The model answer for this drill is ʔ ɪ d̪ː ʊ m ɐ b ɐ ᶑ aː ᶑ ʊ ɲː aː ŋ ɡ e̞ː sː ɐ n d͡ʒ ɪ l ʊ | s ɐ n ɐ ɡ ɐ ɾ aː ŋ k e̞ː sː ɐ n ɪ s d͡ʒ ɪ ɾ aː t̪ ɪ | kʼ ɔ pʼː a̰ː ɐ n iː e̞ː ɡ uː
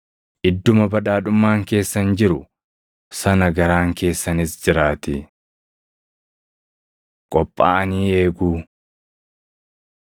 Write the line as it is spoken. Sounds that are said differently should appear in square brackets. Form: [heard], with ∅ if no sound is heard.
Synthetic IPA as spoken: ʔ ɪ d̪ː ʊ m ɐ b ɐ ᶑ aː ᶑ ʊ [mː] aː ŋ [k] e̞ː sː ɐ n d͡ʒ ɪ [ɾ] ʊ | s ɐ n ɐ ɡ ɐ ɾ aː ŋ k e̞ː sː ɐ n ɪ s d͡ʒ ɪ ɾ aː t̪ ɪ | kʼ ɔ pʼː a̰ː ɐ n iː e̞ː ɡ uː